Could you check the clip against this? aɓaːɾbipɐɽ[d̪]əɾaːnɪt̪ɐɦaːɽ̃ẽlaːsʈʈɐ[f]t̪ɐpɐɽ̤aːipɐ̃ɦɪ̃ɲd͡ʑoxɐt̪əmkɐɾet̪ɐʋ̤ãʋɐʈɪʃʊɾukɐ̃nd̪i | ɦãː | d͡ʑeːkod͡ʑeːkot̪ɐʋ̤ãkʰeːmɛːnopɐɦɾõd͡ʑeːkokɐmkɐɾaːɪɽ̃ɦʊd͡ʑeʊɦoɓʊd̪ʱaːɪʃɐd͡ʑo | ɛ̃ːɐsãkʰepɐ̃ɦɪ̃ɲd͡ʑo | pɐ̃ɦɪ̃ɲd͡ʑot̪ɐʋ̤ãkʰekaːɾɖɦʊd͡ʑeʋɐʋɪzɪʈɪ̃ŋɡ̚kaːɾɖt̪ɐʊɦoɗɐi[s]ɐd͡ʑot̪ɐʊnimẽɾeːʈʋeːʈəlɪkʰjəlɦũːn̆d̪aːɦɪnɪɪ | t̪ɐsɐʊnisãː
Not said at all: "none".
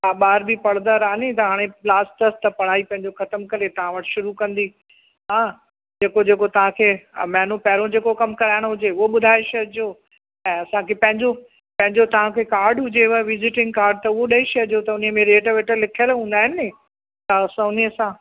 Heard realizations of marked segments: d̪, s, ʃ

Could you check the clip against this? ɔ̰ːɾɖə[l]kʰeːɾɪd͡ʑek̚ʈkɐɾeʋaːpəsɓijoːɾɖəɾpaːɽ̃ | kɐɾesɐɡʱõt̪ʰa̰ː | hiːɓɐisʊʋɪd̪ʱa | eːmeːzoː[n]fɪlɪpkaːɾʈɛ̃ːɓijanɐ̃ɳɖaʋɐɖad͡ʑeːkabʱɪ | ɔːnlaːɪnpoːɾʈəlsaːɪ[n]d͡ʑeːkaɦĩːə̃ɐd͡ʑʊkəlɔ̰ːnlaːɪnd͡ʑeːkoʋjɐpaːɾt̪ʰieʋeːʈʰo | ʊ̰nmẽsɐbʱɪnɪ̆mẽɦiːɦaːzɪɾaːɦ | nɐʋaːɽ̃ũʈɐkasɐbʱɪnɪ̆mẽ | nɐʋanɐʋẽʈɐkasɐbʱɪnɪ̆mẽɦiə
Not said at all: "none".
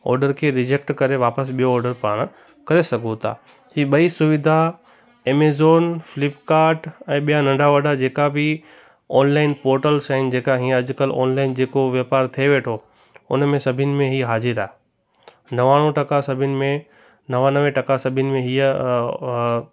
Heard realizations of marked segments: ɾ, n, n

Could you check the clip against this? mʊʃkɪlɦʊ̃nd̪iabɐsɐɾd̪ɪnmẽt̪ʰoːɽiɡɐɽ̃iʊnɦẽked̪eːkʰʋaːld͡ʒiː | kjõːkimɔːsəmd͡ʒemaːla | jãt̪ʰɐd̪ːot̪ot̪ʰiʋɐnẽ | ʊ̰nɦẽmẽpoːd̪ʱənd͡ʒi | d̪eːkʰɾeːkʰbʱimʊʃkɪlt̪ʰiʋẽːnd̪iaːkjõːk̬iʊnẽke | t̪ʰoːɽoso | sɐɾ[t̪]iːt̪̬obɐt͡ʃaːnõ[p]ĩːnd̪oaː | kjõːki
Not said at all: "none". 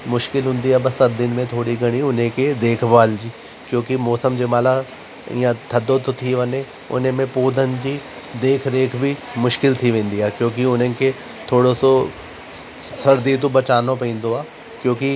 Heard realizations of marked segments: d̪, p

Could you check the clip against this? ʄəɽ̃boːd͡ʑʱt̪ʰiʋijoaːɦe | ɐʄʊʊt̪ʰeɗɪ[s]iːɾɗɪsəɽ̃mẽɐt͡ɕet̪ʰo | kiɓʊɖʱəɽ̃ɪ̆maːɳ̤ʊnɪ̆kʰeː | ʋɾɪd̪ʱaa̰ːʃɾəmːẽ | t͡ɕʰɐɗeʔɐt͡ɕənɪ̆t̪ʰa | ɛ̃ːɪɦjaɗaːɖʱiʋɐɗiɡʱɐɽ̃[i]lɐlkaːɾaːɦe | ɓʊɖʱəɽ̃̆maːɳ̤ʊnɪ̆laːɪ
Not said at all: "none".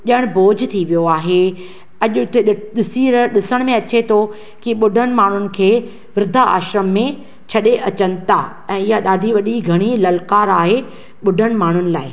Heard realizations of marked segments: s, i

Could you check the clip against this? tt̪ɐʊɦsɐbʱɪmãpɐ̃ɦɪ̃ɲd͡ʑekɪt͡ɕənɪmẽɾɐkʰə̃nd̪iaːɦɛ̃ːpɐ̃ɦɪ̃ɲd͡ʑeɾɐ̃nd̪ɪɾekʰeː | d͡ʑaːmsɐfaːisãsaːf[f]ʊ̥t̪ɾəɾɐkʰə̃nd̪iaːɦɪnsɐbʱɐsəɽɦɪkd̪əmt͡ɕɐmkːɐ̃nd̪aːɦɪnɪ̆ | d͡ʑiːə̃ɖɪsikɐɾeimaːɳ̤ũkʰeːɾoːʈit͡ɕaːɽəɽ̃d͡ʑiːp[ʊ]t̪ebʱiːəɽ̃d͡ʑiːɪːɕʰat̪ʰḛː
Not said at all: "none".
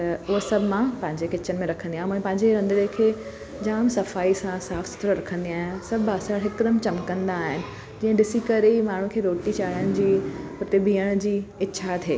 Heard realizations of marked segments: s, ʊ

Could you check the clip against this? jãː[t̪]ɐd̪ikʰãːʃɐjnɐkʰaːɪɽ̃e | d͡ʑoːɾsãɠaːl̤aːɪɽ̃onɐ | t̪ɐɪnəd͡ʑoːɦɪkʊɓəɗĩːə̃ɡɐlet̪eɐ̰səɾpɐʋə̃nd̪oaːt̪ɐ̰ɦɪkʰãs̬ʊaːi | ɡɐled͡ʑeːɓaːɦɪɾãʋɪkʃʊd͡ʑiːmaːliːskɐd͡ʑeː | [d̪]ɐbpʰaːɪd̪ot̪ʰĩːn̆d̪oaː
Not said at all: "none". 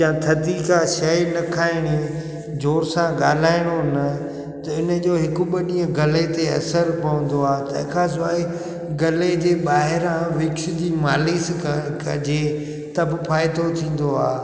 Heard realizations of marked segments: t̪ʰ, t̪

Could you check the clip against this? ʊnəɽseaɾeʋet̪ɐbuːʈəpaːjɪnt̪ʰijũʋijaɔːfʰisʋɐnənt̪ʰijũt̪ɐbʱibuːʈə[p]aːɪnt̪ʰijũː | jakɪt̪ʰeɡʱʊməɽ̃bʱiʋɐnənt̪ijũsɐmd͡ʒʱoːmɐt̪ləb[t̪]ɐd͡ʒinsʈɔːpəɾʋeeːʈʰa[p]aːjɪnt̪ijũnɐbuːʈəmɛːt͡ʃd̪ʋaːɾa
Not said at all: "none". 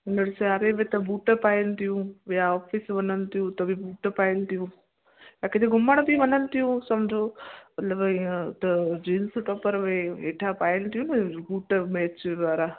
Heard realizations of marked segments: p, t̪, p

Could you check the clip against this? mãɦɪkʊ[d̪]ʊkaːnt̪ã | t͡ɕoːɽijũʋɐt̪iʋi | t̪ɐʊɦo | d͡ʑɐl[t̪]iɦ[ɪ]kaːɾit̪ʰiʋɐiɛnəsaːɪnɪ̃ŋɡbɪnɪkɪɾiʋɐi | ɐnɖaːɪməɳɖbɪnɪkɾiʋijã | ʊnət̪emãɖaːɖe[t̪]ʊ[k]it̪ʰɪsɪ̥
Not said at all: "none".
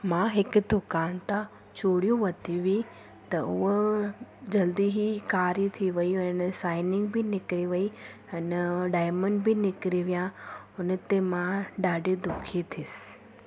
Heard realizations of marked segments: d̪, d̪, i, d̪, kʰ

